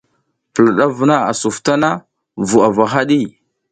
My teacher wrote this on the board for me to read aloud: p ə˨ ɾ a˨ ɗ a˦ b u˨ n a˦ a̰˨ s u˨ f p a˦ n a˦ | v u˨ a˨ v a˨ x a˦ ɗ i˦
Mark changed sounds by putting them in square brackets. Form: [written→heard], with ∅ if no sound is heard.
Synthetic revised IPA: p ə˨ [ɾ→l] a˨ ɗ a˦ [b→v] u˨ n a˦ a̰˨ s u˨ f [p→t] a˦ n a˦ | v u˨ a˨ v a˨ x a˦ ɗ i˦